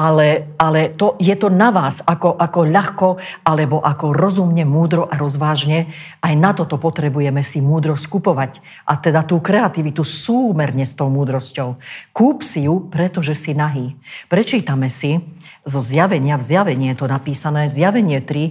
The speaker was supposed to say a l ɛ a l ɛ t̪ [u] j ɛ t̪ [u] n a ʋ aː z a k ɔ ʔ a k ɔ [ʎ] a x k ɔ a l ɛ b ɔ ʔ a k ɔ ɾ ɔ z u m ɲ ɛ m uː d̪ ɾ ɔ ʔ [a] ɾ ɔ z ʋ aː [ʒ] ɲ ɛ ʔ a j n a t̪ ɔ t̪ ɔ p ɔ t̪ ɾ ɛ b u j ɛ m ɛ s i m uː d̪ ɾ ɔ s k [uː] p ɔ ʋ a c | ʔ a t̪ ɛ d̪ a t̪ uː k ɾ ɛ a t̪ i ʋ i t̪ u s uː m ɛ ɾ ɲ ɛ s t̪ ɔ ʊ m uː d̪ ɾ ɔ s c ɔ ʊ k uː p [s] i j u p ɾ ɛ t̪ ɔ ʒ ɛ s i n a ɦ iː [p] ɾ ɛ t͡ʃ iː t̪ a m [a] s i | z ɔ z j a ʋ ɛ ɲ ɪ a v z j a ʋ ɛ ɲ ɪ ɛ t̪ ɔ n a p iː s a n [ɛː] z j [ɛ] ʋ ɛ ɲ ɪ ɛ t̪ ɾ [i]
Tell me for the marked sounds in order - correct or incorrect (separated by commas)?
incorrect, incorrect, correct, correct, correct, incorrect, correct, correct, incorrect, correct, incorrect, correct